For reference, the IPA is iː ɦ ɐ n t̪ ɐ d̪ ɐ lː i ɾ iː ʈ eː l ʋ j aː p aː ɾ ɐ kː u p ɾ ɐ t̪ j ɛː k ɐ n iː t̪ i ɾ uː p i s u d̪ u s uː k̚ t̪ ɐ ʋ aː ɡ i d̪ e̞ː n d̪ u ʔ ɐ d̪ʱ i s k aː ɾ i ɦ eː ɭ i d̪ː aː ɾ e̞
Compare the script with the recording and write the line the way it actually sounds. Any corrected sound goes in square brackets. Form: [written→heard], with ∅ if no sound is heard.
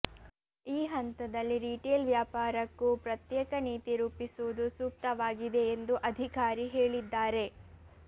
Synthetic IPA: iː ɦ ɐ n t̪ ɐ d̪ ɐ lː i ɾ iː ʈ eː l ʋ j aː p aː ɾ ɐ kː u p ɾ ɐ t̪ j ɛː k ɐ n iː t̪ i ɾ uː p i s u d̪ u s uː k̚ t̪ ɐ ʋ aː ɡ i d̪ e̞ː n d̪ u ʔ ɐ d̪ʱ i [s→∅] k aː ɾ i ɦ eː ɭ i d̪ː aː ɾ e̞